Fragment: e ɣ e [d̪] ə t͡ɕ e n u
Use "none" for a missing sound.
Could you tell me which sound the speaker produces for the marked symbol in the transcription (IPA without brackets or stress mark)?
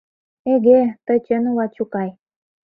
t̪